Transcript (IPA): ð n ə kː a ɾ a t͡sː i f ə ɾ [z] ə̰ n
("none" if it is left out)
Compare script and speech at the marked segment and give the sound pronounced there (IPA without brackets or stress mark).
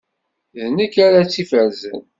z